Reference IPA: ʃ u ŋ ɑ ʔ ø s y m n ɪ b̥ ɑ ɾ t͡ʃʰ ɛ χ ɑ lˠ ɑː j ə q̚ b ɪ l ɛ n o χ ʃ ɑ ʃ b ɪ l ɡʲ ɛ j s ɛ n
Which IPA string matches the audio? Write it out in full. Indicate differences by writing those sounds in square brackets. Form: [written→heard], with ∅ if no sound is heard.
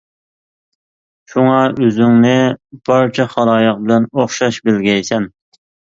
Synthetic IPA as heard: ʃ u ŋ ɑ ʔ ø [s→z] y [m→ŋ] n ɪ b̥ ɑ ɾ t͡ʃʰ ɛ χ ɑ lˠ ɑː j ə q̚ b ɪ l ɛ n o χ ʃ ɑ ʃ b ɪ l ɡʲ ɛ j s ɛ n